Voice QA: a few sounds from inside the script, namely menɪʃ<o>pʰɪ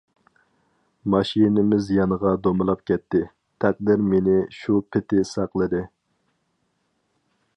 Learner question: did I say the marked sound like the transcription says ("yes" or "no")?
no